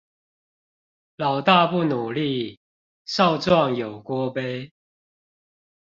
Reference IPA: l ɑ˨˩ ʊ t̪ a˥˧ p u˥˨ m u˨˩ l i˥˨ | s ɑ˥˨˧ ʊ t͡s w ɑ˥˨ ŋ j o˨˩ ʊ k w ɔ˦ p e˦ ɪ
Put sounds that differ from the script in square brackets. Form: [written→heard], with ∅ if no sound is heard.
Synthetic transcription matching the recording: l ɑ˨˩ ʊ t̪ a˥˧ p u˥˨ [m→n] u˨˩ l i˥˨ | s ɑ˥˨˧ ʊ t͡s w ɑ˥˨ ŋ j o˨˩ ʊ k w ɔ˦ p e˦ ɪ